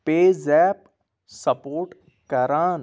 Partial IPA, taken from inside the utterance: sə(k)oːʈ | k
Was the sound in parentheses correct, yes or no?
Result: no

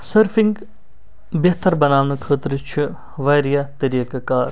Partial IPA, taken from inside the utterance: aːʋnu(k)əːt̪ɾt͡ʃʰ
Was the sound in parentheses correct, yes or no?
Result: no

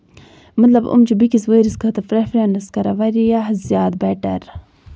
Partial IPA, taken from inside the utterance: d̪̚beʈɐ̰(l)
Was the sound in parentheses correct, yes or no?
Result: no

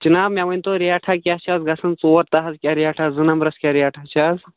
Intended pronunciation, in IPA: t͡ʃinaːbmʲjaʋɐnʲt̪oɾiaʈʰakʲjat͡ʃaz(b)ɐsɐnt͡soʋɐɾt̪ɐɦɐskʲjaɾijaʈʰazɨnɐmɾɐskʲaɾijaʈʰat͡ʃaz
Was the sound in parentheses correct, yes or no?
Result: no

